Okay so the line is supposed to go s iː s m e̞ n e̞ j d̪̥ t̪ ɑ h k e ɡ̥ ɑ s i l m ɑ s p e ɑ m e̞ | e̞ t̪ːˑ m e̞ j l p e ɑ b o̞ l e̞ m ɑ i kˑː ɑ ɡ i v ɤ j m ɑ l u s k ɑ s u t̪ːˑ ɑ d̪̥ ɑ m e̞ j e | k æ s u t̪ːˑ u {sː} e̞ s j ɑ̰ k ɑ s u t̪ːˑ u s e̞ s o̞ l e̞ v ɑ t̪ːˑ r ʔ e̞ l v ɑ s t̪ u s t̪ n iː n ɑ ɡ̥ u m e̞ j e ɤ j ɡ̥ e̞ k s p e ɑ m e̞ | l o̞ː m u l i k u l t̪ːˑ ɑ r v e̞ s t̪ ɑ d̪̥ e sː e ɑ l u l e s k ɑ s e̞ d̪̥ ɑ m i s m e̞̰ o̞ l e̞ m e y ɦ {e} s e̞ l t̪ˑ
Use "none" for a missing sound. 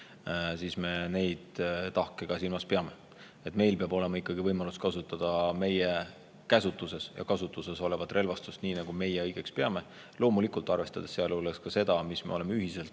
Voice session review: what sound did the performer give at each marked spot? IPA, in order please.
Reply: s, i

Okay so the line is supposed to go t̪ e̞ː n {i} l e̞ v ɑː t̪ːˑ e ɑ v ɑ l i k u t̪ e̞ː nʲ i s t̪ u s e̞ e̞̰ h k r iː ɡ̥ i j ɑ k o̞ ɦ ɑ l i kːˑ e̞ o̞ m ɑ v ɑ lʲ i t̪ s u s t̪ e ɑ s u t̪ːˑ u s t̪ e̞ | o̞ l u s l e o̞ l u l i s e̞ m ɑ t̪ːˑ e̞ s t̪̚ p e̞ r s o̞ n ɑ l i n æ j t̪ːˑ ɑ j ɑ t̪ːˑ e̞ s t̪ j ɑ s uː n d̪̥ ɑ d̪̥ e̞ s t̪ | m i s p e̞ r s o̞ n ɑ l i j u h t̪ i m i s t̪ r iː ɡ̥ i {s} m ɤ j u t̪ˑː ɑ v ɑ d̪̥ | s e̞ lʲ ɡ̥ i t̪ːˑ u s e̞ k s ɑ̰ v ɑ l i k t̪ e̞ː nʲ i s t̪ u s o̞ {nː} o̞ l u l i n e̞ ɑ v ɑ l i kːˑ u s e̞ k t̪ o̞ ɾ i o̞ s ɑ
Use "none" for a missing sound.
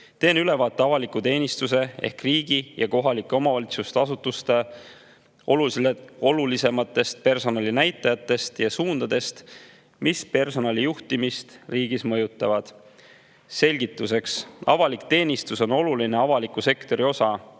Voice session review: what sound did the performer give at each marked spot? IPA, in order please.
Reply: y, s, n

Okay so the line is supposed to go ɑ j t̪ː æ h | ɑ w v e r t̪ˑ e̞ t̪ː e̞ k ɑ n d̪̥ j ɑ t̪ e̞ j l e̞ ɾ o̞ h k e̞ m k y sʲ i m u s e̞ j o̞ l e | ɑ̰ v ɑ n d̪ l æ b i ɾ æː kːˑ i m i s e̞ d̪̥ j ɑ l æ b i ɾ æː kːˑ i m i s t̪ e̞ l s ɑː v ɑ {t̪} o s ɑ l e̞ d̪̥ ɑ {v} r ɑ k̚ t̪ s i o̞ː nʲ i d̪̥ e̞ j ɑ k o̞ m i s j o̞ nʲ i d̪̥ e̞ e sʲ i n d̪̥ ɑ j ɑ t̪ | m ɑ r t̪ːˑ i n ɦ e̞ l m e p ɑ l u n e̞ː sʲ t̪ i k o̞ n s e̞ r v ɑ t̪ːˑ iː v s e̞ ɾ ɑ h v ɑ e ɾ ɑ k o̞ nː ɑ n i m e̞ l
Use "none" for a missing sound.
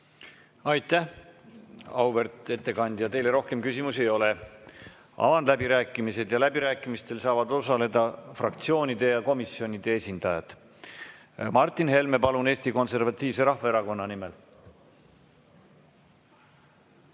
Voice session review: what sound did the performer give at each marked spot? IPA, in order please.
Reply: d̪, f

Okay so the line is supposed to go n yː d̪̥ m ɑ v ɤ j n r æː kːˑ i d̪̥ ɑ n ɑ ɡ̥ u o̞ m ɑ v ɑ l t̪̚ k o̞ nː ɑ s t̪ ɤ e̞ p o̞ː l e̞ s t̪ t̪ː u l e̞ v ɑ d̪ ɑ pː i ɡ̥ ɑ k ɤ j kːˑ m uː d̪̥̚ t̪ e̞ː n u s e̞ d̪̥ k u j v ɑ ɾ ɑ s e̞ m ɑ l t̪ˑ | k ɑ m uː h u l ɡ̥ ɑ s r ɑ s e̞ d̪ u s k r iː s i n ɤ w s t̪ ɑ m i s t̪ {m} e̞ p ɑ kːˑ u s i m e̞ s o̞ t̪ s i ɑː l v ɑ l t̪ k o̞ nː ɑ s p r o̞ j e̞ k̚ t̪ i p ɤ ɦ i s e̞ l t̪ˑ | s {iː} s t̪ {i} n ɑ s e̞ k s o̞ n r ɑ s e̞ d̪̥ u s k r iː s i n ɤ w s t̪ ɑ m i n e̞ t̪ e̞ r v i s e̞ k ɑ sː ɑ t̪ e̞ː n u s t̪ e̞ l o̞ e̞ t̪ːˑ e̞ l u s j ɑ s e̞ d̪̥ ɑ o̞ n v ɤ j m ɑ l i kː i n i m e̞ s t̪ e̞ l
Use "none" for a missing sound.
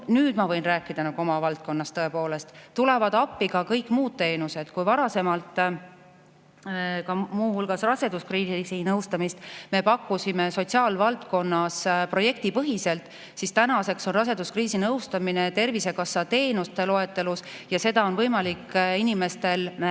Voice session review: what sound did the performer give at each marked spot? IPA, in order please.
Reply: m, i, æ

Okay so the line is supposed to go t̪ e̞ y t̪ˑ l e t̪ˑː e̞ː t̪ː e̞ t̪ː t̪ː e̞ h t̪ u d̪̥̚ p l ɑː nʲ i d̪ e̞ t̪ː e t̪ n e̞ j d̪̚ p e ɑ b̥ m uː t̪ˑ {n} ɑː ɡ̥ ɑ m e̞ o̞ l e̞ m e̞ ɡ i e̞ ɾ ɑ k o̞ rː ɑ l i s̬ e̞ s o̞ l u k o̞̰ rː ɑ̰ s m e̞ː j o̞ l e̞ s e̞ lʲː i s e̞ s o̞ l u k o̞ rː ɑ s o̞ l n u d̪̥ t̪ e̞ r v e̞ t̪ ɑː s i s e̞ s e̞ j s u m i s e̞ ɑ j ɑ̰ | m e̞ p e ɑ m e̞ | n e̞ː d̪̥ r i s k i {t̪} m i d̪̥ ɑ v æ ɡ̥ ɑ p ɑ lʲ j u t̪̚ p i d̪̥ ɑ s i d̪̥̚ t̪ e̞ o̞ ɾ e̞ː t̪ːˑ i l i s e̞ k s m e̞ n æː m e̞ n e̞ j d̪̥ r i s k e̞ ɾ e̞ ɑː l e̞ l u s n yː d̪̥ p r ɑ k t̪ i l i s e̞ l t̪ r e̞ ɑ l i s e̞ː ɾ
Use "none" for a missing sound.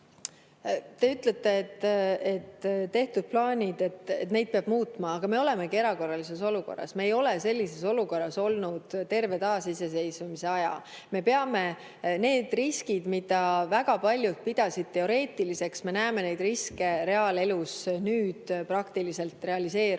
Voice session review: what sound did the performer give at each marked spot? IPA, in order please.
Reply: m, d̪

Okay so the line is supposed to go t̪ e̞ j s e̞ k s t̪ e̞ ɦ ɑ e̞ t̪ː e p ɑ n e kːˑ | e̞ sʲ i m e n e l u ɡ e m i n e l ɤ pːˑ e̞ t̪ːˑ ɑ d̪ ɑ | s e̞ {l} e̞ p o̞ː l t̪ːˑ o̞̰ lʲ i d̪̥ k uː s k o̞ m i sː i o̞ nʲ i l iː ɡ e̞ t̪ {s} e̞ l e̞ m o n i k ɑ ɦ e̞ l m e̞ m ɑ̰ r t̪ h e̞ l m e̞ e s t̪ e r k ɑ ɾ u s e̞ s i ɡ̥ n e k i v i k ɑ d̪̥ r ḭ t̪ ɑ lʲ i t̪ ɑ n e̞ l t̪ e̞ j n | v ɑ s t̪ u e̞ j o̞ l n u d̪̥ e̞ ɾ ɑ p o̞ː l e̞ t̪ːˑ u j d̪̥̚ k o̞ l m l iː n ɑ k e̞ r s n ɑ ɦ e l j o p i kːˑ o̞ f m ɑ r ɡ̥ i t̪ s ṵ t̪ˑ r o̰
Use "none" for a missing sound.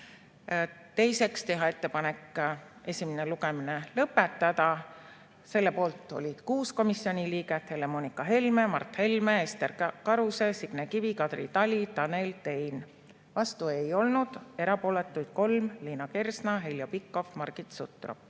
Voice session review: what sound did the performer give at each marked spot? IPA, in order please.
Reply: lː, h

